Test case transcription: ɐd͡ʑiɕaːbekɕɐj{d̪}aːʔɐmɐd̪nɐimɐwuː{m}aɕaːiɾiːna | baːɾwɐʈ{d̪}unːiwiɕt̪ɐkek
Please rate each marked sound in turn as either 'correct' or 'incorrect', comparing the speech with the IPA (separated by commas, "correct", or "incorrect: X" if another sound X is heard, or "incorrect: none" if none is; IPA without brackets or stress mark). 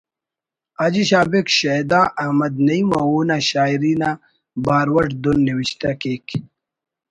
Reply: correct, incorrect: n, correct